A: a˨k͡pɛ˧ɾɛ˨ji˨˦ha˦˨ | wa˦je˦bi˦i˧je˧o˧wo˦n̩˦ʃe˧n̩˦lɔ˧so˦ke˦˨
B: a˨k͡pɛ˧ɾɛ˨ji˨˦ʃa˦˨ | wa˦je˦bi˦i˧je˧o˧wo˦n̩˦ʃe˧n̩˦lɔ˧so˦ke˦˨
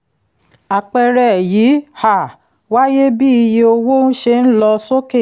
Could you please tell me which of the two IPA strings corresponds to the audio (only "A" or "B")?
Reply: A